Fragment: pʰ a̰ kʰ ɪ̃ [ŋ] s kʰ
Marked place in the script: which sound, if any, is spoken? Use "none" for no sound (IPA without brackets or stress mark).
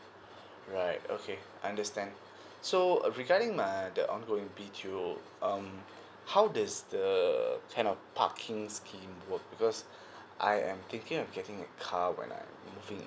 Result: ŋ